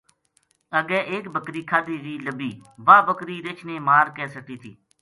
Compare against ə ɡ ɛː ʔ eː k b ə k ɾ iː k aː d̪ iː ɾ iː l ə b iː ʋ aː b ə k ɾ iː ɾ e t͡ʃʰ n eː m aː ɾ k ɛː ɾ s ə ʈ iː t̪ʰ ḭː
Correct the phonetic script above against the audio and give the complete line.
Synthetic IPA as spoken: ə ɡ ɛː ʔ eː k b ə k ɾ iː kʰ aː d̪ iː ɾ iː l ə b iː ʋ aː b ə k ɾ iː ɾ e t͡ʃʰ n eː m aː ɾ k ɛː s ə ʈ iː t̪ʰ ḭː